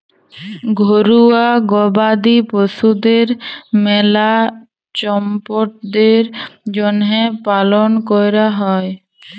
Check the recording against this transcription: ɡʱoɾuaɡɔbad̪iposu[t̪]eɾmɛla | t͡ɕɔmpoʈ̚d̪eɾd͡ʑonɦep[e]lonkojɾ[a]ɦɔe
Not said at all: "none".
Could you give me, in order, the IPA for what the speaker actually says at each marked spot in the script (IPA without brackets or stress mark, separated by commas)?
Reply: d̪, a, a